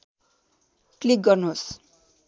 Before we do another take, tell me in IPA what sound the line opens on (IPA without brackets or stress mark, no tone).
k